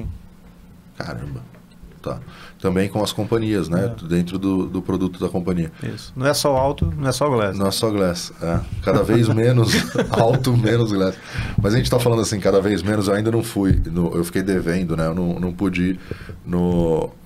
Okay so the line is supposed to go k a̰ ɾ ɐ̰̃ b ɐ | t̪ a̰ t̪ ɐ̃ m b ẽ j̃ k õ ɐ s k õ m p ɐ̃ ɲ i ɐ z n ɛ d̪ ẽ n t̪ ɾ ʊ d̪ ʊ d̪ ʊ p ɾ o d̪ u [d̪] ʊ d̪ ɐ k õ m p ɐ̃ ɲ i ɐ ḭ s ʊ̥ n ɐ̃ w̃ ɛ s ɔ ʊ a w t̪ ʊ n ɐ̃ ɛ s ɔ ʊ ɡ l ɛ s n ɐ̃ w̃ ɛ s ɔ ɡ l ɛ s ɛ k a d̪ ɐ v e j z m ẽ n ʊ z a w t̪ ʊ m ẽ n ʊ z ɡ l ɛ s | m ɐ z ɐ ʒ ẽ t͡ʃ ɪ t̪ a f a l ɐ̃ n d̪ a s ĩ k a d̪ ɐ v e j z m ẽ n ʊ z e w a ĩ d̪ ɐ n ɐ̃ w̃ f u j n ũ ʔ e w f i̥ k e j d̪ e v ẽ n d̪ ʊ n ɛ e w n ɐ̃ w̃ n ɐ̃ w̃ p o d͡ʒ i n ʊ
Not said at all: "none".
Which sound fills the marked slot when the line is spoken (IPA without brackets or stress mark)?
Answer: t̪